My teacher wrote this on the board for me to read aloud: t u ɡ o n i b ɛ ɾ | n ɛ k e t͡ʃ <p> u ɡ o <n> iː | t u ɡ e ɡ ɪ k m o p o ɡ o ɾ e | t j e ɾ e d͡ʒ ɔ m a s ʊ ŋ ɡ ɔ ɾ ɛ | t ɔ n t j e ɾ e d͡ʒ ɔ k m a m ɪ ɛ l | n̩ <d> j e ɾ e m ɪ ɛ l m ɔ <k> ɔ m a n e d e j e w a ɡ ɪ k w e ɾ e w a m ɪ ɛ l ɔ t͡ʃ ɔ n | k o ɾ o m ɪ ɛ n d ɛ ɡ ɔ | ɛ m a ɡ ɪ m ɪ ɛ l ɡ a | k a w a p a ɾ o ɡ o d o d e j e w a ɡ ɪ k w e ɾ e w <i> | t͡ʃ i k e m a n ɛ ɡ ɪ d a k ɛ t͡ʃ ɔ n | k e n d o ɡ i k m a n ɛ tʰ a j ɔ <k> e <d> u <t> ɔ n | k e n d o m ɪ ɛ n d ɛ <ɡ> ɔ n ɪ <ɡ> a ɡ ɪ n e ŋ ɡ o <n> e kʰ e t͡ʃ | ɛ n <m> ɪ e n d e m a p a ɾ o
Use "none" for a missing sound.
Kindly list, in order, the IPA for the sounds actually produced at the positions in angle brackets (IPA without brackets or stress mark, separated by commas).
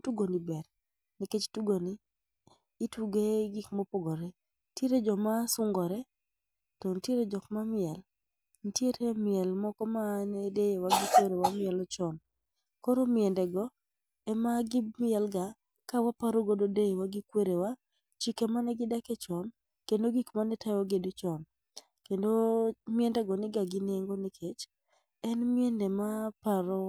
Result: t, n, t, k, a, ɡ, d, t͡ʃ, ɡ, ɡ, n, m